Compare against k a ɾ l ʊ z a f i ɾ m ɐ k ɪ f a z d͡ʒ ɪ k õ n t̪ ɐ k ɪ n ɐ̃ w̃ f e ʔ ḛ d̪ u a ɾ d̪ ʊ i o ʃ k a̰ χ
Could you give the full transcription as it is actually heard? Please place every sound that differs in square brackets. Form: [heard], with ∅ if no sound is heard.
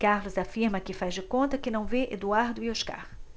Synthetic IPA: k a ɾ l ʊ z a f i ɾ m ɐ k ɪ f a z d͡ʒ ɪ k õ n t̪ ɐ k ɪ n ɐ̃ w̃ [v] e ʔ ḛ d̪ u a ɾ d̪ ʊ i o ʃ k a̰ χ

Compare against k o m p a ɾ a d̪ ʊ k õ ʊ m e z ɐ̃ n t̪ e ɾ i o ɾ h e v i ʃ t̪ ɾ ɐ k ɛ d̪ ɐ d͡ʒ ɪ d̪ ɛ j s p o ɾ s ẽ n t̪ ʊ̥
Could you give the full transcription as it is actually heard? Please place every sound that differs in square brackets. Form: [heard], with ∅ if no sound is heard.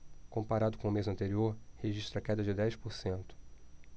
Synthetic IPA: k [õ] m p a ɾ a d̪ ʊ k õ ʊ m e z ɐ̃ n t̪ e ɾ i o ɾ h e [ʒ] i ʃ t̪ ɾ ɐ k ɛ d̪ ɐ d͡ʒ ɪ d̪ ɛ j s p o ɾ s ẽ n t̪ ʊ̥

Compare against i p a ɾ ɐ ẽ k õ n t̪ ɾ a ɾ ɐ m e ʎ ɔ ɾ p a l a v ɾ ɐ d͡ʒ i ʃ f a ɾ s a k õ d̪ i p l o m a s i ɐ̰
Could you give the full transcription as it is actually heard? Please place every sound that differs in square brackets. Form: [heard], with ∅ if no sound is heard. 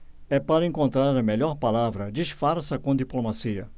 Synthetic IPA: [ɛ] p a ɾ ɐ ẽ k õ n t̪ ɾ a ɾ ɐ m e ʎ ɔ ɾ p a l a v ɾ ɐ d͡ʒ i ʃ f a ɾ s [ɐ] k õ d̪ i p l o m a s i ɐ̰

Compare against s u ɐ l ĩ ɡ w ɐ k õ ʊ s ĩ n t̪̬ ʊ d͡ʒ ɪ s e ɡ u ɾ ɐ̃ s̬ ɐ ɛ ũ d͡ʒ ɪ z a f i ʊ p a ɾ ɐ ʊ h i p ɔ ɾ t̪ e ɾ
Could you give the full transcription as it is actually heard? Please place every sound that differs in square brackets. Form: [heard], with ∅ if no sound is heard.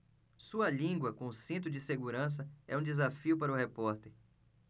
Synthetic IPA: s u ɐ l ĩ ɡ w ɐ k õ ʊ s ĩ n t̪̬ ʊ d͡ʒ ɪ s e ɡ u ɾ ɐ̃ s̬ ɐ ɛ ũ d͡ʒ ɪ z a f i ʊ p a ɾ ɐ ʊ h [e] p ɔ ɾ t̪ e ɾ

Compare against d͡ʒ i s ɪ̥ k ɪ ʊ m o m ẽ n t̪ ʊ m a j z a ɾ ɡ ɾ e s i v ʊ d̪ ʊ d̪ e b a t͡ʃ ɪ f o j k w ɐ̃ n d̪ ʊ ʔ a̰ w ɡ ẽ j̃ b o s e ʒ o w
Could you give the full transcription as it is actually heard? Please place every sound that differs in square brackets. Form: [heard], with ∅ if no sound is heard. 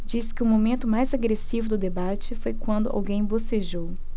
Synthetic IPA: d͡ʒ i s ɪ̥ k ɪ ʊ m o m ẽ n t̪ ʊ m a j z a [∅] ɡ ɾ e s i v ʊ d̪ ʊ d̪ e b a t͡ʃ ɪ f o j k w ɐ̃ n d̪ ʊ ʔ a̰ w ɡ ẽ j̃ b o s e ʒ o w

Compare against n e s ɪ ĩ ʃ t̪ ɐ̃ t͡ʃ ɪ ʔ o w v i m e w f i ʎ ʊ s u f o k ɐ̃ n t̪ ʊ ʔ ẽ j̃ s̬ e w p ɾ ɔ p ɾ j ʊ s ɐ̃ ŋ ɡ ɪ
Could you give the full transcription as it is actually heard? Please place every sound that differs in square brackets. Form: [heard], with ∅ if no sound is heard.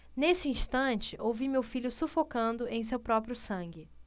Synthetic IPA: n e s ɪ ĩ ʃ t̪ ɐ̃ t͡ʃ ɪ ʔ o w v i m e w f i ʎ ʊ s u f o k ɐ̃ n [d̪] ʊ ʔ ẽ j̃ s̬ e w p ɾ ɔ p ɾ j ʊ s ɐ̃ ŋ ɡ ɪ

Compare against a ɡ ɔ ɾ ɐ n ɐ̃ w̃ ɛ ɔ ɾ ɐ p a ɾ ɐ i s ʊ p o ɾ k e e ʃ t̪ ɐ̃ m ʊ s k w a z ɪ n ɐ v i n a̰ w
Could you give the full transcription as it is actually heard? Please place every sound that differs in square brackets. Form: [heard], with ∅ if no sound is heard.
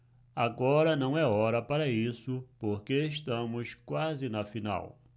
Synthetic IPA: a ɡ ɔ ɾ ɐ n ɐ̃ w̃ ɛ ɔ ɾ ɐ p a ɾ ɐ i s ʊ p o ɾ k e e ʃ t̪ ɐ̃ m ʊ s k w a z ɪ n ɐ [f] i n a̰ w

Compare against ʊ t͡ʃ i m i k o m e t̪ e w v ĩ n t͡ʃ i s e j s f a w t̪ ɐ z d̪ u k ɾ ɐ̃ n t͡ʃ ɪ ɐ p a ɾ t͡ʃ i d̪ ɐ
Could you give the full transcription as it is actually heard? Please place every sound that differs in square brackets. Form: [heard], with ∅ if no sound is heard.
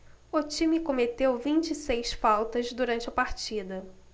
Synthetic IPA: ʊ t͡ʃ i m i k o m e t̪ e w v ĩ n t͡ʃ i s e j s f a w t̪ ɐ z d̪ u [∅] ɾ ɐ̃ n t͡ʃ ɪ ɐ p a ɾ t͡ʃ i d̪ ɐ

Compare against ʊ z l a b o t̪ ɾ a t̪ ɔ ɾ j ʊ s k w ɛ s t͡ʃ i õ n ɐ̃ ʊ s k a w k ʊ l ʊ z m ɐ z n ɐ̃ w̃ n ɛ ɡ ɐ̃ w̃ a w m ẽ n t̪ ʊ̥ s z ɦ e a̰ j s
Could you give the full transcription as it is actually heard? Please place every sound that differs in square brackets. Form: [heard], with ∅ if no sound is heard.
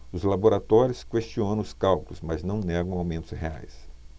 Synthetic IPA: ʊ z l a b o [∅] ɾ a t̪ ɔ ɾ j ʊ s k w [e] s t͡ʃ i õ n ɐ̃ ʊ s k a w k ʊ l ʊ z m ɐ z n ɐ̃ w̃ n ɛ ɡ ɐ̃ w̃ a w m ẽ n t̪ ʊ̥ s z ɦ e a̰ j s

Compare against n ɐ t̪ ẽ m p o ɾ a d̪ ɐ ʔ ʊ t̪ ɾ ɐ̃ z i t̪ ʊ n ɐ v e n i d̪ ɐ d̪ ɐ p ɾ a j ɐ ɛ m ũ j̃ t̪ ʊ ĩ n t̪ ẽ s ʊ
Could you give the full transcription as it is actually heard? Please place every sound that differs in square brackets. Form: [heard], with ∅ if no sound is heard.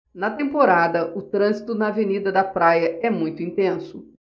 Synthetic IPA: n ɐ t̪ ẽ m p o ɾ a d̪ ɐ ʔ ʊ t̪ ɾ ɐ̃ z i t̪ ʊ n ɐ v e n i d̪ ɐ d̪ ɐ p ɾ a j ɐ ɛ m ũ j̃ t̪ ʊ ĩ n t̪ ẽ s ʊ

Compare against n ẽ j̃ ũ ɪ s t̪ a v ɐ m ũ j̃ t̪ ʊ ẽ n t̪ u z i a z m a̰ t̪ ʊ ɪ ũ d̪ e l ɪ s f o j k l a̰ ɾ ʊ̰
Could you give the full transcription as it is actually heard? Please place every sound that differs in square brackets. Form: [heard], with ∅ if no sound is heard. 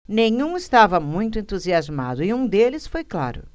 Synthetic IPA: n ẽ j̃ ũ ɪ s t̪ a v ɐ m ũ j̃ t̪ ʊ ẽ n t̪ u z i a z m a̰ [d̪] ʊ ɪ ũ d̪ e l ɪ s f o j k l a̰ ɾ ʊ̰

